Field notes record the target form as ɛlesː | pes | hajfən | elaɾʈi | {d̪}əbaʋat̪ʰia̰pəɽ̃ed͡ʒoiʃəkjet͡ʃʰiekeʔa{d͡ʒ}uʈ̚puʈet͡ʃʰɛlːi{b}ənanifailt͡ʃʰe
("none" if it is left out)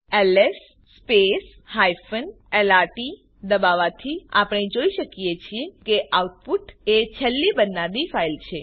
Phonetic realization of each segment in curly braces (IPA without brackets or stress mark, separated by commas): d̪, none, b